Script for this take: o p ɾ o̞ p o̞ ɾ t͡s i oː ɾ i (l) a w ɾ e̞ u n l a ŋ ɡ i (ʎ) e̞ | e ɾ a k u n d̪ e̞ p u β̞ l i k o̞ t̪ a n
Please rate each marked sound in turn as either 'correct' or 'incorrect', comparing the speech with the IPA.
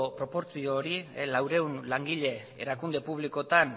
correct, correct

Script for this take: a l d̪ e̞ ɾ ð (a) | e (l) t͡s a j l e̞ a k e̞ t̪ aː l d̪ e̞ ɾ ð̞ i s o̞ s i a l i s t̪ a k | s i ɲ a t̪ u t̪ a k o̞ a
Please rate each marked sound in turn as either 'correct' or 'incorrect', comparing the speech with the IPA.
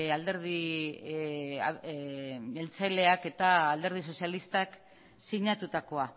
incorrect, correct

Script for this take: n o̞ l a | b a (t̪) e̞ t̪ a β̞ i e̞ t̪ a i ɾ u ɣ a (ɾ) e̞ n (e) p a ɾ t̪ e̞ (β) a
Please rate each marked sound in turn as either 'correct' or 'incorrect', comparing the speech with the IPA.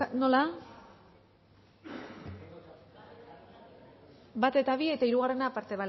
correct, incorrect, incorrect, correct

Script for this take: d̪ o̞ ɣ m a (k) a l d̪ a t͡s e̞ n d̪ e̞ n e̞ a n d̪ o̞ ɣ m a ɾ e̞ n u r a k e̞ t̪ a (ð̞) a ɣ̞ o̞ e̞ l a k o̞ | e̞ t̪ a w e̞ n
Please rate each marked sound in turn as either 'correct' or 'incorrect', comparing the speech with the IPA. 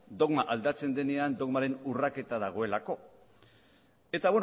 incorrect, correct

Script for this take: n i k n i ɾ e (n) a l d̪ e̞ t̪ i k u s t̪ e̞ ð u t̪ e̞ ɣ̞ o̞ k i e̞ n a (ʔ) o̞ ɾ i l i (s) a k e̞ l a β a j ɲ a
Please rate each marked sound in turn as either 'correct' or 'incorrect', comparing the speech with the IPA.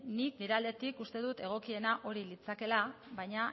incorrect, correct, incorrect

